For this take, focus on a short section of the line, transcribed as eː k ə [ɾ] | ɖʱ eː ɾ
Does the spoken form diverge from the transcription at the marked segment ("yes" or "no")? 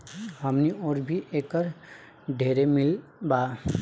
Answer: no